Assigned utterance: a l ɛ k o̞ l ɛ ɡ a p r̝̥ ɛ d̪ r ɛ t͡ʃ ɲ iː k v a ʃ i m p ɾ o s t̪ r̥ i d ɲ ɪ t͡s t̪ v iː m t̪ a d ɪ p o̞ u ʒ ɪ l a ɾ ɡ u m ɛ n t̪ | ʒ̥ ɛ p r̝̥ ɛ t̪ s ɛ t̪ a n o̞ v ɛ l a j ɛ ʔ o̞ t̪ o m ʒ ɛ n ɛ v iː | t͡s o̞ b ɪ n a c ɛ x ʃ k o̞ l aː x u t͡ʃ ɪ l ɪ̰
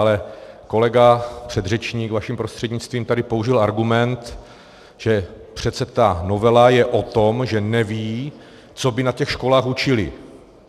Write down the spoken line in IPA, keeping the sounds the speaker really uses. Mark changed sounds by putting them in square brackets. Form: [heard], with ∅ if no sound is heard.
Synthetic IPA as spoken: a l ɛ k o̞ l ɛ ɡ a p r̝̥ ɛ d̪ r ɛ t͡ʃ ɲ iː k v a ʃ i m p ɾ o s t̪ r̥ [ɛ] d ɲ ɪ t͡s t̪ v iː m t̪ a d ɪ p o̞ u ʒ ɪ l a ɾ ɡ u m ɛ n t̪ | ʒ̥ ɛ p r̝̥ ɛ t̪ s ɛ t̪ a n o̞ v ɛ l a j ɛ ʔ o̞ t̪ o m ʒ ɛ n ɛ v iː | t͡s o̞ b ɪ n a c ɛ x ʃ k o̞ l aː x u t͡ʃ ɪ l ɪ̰